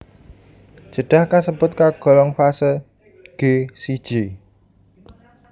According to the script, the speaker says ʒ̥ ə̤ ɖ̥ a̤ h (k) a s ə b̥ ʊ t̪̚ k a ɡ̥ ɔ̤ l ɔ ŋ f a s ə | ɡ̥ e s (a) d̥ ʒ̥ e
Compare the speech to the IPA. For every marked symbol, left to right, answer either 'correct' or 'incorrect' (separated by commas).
correct, incorrect